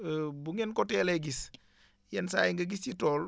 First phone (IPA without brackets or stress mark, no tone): b